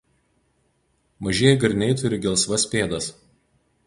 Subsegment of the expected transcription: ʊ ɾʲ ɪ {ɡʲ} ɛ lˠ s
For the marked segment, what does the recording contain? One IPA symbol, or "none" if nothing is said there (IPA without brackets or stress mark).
ɡʲ